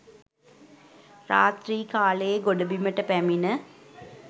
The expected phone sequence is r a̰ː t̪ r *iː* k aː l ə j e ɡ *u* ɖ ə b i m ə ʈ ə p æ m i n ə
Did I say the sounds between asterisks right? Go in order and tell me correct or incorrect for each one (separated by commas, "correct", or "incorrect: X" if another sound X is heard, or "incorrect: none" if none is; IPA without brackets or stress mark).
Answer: correct, incorrect: o